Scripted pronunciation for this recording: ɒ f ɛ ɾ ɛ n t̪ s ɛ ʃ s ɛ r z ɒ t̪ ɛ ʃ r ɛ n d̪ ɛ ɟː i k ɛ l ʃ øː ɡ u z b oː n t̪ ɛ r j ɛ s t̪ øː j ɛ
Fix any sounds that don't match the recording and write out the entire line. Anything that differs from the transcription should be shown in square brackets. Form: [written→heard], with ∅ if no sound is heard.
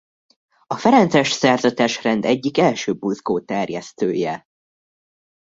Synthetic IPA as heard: ɒ f ɛ ɾ ɛ n t̪ s ɛ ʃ s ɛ r z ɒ t̪ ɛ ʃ r ɛ n d̪ ɛ ɟː i k ɛ l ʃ øː [ɡ→b] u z [b→ɡ] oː [n→∅] t̪ ɛ r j ɛ s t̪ øː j ɛ